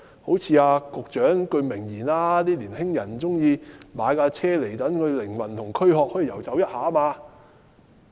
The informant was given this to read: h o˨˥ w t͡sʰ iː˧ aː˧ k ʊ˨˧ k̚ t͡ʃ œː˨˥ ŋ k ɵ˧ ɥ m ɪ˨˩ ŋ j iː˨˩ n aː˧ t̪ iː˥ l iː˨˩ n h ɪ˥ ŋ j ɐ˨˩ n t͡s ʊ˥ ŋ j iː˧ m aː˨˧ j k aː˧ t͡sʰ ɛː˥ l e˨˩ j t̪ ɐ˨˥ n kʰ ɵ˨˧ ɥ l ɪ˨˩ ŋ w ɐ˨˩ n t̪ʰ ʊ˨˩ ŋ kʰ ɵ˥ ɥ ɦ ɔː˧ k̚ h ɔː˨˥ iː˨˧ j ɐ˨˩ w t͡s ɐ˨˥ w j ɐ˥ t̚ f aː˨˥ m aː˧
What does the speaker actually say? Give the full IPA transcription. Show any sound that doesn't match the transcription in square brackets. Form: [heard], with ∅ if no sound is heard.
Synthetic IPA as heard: h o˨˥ w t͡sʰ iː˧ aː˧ k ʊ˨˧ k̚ t͡ʃ œː˨˥ ŋ k ɵ˧ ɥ m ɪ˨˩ ŋ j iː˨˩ n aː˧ t̪ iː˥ l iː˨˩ n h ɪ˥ ŋ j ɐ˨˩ n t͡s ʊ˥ ŋ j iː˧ m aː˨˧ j k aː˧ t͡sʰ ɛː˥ l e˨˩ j t̪ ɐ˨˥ n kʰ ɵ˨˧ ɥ l ɪ˨˩ ŋ w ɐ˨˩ n t̪ʰ ʊ˨˩ ŋ kʰ ɵ˥ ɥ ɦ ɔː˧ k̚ h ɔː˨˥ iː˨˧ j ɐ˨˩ w t͡s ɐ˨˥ w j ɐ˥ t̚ [h] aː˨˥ m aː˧